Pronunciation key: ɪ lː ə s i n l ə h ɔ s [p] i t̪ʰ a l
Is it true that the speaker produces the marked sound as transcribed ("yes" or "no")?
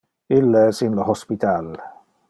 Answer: yes